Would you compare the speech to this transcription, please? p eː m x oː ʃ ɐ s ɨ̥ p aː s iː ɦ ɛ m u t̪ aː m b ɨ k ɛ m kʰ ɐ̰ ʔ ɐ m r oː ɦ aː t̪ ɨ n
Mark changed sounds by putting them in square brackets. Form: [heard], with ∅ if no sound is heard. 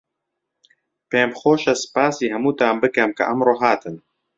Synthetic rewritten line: p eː m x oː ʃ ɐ s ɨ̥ p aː s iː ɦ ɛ m [uː] t̪ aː m b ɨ k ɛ m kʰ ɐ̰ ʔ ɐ m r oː ɦ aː t̪ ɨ n